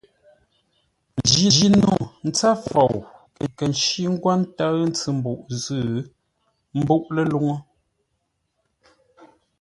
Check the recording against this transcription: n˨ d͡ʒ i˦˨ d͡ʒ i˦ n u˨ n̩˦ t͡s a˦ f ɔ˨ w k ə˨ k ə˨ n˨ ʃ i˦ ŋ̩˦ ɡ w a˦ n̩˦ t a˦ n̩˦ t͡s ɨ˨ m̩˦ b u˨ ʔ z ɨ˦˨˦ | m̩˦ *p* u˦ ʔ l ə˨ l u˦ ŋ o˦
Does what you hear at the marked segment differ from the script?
yes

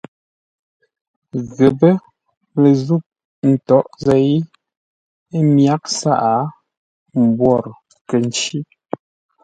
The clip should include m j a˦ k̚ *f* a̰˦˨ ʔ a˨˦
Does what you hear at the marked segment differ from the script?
yes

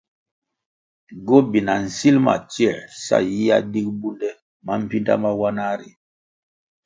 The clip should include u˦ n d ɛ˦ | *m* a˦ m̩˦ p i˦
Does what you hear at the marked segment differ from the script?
no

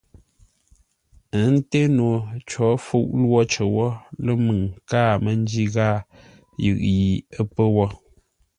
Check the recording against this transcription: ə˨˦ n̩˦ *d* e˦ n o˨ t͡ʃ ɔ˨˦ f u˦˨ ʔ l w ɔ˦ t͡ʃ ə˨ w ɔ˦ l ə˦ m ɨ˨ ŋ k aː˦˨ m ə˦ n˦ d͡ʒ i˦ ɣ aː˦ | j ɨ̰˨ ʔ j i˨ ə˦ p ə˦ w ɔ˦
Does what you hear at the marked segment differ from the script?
yes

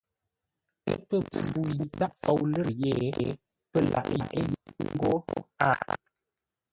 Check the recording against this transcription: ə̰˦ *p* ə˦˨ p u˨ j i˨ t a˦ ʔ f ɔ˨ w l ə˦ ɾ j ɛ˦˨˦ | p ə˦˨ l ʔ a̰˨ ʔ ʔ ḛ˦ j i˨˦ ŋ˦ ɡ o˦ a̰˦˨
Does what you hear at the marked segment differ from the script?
no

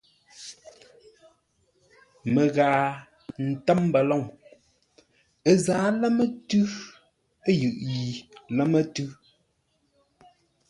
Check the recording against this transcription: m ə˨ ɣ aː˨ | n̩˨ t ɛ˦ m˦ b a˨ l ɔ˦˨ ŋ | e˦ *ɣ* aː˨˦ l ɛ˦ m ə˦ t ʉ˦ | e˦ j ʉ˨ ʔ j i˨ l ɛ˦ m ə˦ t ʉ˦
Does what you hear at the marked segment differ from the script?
yes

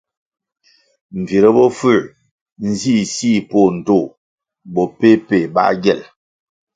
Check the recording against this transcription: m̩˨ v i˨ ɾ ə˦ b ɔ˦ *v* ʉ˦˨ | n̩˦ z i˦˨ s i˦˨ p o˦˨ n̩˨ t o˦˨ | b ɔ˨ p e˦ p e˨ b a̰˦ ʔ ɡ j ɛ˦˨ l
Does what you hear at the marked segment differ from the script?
yes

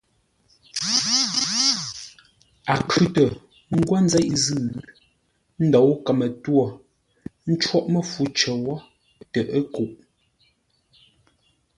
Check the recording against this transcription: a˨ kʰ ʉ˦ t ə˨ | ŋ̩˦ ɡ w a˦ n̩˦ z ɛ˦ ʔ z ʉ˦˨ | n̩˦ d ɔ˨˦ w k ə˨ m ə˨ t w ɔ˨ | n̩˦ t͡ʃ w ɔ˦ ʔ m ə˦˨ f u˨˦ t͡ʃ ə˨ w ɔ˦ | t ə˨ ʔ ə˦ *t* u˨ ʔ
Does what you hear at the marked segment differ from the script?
yes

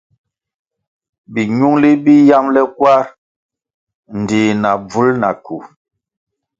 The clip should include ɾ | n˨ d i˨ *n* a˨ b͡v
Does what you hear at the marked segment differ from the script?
no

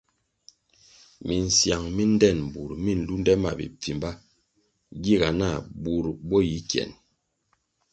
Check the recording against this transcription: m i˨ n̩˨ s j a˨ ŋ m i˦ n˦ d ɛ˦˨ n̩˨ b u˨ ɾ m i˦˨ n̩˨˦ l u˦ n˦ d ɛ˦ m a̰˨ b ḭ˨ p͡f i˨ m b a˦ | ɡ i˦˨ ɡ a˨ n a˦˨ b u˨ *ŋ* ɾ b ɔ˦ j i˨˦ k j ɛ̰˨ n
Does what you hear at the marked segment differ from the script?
yes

